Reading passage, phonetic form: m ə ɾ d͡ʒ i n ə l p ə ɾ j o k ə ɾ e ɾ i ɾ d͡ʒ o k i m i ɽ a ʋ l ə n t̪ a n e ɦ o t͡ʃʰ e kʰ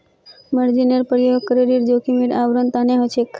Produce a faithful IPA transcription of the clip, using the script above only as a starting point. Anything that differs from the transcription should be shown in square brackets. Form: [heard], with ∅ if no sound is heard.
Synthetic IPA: m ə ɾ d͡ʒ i n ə [ɾ] p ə ɾ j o k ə ɾ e ɾ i ɾ d͡ʒ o k i m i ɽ a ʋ [ɾ] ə n t̪ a n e ɦ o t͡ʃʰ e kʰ